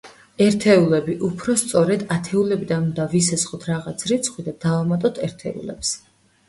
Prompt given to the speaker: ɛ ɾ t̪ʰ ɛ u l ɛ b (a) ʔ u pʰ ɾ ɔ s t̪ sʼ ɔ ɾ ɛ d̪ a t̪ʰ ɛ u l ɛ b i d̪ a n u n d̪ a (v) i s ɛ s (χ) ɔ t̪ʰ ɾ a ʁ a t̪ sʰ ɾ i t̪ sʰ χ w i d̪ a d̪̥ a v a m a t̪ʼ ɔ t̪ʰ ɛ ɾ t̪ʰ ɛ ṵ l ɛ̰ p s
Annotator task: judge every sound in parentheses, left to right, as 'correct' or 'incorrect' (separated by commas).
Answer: incorrect, correct, correct